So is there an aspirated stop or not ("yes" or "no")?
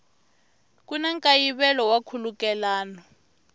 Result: yes